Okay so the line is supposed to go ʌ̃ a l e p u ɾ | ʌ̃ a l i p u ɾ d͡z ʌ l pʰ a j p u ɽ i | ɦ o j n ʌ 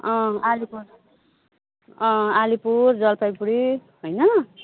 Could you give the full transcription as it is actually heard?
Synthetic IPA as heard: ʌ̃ a l i p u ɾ | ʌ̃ a l i p u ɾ d͡z ʌ l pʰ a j p u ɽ i | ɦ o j n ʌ